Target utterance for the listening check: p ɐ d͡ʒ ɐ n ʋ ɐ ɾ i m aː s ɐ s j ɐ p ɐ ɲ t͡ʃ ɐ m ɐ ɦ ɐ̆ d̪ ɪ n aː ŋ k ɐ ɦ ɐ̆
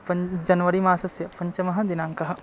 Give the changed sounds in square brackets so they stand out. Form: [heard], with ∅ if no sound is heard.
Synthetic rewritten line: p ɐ d͡ʒ ɐ n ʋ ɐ ɾ i m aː s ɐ s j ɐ p ɐ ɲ t͡ʃ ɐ m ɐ ɦ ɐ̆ d̪ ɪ n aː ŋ k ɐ ɦ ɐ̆